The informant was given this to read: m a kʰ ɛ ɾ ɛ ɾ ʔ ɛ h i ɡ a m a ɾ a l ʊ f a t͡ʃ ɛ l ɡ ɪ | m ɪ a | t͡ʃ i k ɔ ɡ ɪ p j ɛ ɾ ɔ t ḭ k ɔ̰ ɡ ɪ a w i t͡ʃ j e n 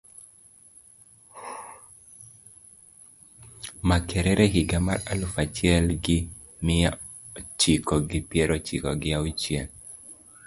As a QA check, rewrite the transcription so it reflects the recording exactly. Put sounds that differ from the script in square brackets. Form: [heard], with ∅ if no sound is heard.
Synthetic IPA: m a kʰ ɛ ɾ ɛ ɾ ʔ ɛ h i ɡ a m a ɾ a l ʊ f a t͡ʃ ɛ l ɡ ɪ | m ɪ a | t͡ʃ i k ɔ ɡ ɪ p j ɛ ɾ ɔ [t͡ʃ] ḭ k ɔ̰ ɡ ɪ a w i t͡ʃ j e n